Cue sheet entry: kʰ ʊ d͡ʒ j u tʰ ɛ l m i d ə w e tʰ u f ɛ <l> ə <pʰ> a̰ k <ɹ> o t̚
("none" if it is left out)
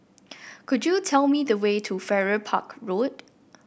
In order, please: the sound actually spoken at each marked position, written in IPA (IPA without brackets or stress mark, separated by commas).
ɹ, pʰ, ɹ